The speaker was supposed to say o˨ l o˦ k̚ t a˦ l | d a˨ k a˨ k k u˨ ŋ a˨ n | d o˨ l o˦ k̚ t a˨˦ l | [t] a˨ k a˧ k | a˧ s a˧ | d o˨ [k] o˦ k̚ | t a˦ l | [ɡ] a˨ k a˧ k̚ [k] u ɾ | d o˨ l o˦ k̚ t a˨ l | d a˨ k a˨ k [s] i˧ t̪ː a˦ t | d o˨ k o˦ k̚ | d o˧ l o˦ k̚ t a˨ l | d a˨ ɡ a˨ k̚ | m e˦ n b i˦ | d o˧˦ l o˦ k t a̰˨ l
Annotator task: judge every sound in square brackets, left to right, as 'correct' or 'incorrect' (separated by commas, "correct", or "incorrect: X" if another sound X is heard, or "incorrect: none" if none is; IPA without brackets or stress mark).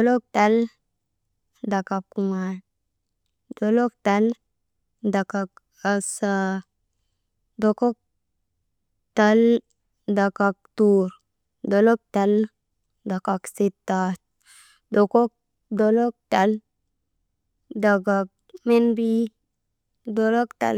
incorrect: d, correct, incorrect: d, incorrect: t, correct